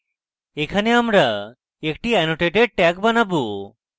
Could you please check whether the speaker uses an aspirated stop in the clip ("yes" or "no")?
yes